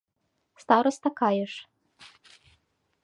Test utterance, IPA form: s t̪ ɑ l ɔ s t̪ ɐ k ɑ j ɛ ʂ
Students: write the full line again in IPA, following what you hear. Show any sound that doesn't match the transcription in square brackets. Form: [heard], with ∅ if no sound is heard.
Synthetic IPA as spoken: s t̪ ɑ [ɾ] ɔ s t̪ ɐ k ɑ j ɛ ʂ